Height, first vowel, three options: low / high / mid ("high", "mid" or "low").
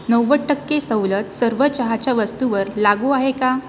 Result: mid